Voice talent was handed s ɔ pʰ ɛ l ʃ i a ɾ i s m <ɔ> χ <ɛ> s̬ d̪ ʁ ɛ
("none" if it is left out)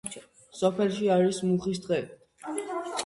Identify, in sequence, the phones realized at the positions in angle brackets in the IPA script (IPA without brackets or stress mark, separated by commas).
u, i